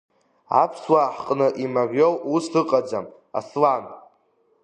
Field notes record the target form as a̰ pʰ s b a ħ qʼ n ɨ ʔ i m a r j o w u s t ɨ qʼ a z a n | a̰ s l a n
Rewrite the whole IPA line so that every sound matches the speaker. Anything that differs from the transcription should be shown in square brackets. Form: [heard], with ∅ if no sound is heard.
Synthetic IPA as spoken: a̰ pʰ s [w] a ħ qʼ n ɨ ʔ i m a r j o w u s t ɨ qʼ a [d͡z] a [m] | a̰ s l a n